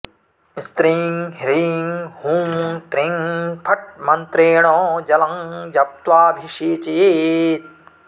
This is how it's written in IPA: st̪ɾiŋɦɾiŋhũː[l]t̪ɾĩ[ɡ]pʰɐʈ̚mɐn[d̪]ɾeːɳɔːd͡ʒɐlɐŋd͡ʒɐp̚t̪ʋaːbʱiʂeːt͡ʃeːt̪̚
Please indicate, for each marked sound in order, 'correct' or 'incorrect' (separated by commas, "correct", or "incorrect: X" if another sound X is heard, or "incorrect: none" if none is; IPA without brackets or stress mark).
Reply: incorrect: none, incorrect: ŋ, incorrect: t̪